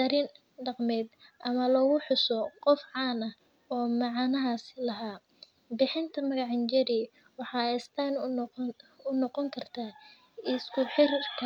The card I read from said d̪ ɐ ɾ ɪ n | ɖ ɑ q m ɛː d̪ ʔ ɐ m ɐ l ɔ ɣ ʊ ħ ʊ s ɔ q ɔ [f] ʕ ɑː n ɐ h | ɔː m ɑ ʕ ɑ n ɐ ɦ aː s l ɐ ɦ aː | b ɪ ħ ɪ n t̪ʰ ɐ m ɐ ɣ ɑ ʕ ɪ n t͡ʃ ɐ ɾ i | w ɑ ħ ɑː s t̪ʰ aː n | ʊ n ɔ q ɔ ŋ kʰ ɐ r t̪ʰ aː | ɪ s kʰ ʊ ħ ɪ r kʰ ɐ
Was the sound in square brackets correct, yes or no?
yes